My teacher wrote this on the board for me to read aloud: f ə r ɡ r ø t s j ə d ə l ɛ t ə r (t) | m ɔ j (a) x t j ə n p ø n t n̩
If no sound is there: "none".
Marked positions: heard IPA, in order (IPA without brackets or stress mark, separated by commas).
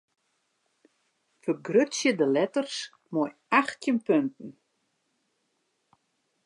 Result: s, a